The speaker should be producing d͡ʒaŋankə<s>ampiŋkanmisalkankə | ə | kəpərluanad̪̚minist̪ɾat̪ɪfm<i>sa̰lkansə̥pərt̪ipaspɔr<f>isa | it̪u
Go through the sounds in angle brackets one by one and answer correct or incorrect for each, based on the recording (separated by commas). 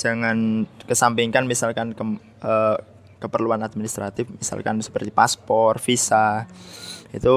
correct, correct, correct